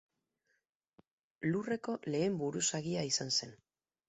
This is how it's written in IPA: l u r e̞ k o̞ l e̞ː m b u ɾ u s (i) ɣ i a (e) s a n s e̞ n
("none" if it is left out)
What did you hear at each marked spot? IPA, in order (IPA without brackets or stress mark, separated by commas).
a, i